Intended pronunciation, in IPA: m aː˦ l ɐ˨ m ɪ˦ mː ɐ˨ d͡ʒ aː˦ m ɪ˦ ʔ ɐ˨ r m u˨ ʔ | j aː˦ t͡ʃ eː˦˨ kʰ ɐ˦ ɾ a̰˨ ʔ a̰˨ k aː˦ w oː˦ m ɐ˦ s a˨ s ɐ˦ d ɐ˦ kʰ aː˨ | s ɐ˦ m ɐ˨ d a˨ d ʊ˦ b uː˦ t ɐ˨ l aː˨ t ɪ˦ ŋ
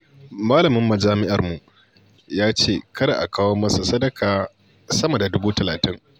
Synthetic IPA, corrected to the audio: m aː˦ l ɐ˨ m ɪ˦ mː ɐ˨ d͡ʒ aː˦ m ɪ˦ ʔ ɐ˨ r m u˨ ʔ | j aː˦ t͡ʃ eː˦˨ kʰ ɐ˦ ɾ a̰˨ ʔ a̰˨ k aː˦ w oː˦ m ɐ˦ s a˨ s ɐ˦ d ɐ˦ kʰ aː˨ | s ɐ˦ m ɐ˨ d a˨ d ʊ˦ b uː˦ t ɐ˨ l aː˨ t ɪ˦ ŋ